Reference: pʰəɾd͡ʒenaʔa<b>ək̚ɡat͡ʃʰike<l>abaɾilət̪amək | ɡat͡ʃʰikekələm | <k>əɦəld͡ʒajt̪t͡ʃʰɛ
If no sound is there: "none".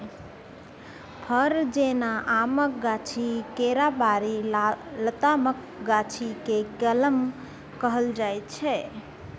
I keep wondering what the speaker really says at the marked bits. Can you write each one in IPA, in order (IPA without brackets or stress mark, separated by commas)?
m, ɾ, k